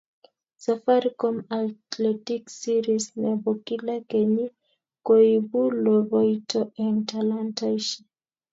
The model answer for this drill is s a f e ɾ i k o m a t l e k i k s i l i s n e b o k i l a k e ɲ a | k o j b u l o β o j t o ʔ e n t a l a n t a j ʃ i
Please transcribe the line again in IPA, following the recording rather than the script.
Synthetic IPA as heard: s a f a ɾ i k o m a t l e t i k s i ɾ i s n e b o k i l a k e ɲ i | k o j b u l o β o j t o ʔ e n t a l a n t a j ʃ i